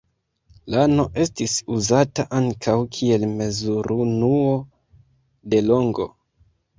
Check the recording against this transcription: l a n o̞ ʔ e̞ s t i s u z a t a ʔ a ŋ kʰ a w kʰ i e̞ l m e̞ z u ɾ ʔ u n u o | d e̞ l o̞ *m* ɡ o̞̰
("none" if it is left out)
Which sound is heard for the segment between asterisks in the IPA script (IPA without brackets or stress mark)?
ŋ